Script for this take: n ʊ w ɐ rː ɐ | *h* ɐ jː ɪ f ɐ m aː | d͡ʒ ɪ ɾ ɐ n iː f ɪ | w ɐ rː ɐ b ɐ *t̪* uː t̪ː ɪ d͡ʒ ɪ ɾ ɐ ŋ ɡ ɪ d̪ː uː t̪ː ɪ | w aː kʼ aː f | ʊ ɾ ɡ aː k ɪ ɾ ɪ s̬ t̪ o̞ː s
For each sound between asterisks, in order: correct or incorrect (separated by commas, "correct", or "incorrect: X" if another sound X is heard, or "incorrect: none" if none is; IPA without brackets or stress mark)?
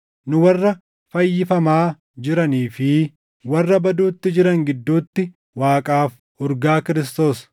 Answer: incorrect: f, incorrect: d̪